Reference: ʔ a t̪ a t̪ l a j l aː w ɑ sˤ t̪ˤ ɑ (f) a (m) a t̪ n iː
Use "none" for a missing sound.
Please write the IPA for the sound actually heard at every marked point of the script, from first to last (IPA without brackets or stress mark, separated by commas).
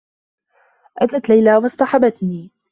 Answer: ħ, b